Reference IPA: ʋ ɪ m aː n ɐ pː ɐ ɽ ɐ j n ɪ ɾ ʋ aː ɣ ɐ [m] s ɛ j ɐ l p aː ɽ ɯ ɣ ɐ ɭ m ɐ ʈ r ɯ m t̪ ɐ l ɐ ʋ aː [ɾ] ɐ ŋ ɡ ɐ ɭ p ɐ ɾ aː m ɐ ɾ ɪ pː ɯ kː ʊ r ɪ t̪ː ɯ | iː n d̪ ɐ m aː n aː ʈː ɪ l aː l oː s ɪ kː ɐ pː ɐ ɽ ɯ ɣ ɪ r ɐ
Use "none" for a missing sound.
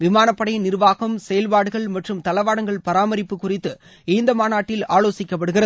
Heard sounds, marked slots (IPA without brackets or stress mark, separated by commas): m, ɽ